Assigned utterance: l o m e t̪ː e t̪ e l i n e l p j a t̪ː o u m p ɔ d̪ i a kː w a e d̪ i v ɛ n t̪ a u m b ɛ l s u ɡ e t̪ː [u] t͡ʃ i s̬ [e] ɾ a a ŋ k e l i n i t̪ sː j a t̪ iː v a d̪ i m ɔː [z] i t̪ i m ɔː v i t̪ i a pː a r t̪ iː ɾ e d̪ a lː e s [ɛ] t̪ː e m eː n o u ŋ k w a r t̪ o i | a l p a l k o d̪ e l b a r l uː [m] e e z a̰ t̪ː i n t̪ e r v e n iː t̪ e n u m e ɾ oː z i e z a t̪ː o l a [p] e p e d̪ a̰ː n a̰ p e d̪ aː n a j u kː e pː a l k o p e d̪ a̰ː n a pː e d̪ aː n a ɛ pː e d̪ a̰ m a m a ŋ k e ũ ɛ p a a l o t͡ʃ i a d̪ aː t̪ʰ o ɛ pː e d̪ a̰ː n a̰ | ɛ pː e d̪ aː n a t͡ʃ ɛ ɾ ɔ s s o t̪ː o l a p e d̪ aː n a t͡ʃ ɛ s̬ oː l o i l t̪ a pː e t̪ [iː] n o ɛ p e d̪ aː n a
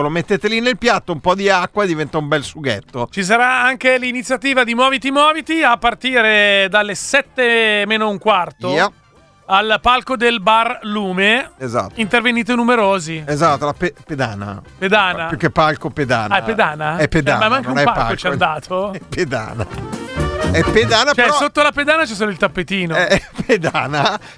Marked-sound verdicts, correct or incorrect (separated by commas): incorrect, incorrect, incorrect, correct, correct, correct, correct